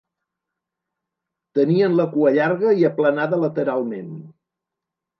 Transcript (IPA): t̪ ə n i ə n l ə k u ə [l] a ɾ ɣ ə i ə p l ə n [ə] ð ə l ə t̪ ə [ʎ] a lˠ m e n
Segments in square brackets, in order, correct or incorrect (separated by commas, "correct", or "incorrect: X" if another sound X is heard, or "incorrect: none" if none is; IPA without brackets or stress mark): incorrect: ʎ, incorrect: a, incorrect: ɾ